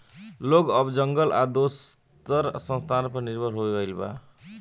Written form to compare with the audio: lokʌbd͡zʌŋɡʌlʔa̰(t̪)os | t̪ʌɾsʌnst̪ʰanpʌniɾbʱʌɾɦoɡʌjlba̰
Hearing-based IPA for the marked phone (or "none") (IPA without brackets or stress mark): d̪